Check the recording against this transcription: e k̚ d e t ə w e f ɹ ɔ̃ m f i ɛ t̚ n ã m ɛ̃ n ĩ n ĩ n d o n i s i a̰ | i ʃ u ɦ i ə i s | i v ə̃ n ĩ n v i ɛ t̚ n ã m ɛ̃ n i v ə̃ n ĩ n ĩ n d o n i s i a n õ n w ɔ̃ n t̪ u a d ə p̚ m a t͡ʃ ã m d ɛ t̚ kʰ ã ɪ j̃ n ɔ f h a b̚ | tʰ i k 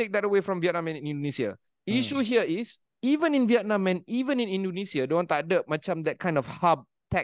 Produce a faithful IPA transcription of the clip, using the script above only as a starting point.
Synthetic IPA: e k̚ d ɛ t ə w e f ɹ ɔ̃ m v i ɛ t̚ n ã m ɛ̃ n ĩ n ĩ n d o n i s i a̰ | i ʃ u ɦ i ə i s | i v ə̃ n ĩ n v i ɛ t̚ n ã m ɛ̃ n i v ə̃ n ĩ n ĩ n d o n i s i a d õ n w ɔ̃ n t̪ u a d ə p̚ m a t͡ʃ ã m d ɛ t̚ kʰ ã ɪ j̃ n ɔ f h a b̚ | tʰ ɛ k